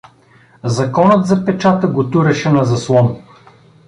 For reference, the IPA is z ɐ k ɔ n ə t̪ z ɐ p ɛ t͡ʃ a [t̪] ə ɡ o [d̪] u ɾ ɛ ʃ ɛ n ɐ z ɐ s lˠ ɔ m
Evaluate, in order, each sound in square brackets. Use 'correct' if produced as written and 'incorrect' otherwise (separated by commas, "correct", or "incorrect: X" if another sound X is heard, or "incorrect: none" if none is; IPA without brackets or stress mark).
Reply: correct, incorrect: t̪